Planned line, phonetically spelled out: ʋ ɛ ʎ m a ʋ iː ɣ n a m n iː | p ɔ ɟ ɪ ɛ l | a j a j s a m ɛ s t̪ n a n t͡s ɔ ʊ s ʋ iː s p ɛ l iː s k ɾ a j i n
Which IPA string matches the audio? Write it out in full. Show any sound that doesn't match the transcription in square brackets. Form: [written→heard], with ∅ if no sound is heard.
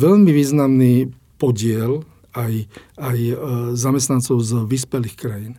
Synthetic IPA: ʋ ɛ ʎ m [a→i] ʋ iː [ɣ→z] n a m n iː | p ɔ ɟ ɪ ɛ l | a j a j [s→z] a m ɛ s t̪ n a n t͡s ɔ ʊ [s→z] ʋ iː s p ɛ l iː [s→x] k ɾ a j i n